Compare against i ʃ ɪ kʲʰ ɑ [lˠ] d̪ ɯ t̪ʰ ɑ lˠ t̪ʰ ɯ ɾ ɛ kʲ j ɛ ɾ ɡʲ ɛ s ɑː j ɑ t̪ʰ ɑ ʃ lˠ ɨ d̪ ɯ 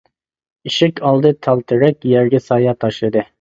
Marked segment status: correct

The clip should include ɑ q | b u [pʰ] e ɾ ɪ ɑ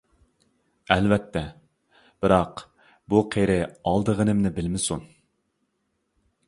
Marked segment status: incorrect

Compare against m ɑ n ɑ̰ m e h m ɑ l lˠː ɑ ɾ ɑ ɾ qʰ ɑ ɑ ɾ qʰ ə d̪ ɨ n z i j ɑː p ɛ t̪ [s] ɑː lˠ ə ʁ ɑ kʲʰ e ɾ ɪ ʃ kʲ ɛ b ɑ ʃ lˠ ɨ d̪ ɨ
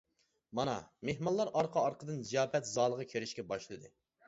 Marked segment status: incorrect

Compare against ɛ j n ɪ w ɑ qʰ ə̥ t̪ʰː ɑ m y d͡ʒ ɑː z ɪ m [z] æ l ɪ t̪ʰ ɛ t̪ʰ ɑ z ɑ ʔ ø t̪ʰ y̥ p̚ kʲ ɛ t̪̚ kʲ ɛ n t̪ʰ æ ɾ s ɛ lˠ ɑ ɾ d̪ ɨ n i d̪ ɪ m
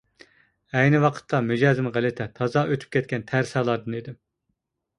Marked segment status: incorrect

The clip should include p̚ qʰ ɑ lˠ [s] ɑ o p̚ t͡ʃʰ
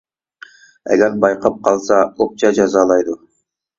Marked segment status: correct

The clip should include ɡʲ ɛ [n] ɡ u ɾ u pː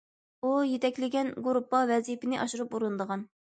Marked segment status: correct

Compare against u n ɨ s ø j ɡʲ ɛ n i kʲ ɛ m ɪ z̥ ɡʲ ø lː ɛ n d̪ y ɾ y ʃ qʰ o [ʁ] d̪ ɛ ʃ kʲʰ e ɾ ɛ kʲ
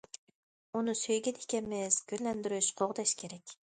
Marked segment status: correct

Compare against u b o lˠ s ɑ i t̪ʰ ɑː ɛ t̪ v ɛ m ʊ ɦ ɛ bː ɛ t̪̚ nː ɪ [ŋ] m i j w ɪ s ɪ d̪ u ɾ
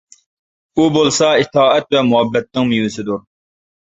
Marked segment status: correct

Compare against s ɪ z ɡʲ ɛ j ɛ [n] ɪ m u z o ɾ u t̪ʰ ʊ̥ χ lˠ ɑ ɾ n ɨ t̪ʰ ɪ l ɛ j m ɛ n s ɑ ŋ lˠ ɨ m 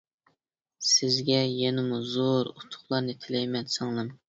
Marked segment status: correct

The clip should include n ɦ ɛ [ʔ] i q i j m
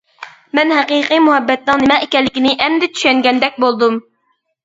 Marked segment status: incorrect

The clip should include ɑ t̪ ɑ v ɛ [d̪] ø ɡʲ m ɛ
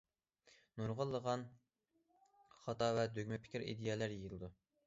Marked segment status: correct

